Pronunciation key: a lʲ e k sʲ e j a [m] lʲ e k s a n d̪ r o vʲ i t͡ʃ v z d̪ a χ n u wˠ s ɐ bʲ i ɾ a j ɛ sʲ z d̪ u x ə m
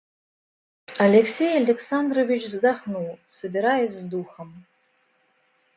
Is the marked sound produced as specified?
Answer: no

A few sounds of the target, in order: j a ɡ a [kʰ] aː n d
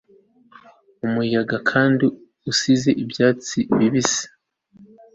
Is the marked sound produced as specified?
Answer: yes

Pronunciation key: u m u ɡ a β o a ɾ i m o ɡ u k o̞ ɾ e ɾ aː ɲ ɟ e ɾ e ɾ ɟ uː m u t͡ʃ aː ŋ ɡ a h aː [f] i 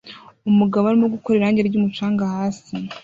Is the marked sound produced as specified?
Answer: no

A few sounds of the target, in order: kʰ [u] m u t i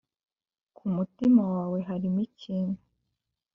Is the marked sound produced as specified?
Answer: yes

